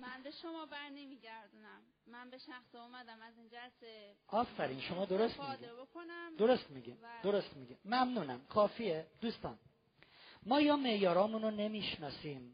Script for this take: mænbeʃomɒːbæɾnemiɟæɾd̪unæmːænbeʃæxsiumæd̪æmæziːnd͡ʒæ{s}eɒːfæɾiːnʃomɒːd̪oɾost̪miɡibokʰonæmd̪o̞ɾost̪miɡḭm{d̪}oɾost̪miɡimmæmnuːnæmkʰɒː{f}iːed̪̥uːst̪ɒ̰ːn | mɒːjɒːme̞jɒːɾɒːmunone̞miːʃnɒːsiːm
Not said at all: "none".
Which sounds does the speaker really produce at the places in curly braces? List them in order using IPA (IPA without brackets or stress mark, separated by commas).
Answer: s, d̪, f